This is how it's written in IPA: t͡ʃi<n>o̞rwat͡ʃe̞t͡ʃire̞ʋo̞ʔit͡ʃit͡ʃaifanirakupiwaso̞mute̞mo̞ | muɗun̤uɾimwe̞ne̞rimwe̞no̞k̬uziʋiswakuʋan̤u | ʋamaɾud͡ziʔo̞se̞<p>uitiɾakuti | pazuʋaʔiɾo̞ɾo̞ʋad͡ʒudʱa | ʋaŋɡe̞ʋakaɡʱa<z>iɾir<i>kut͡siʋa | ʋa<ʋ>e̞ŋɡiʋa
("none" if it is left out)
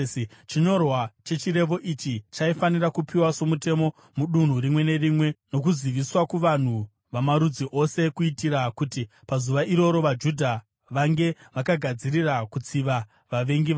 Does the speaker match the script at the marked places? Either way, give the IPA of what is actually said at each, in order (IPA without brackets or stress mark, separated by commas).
ɲ, k, d͡z, a, ʋ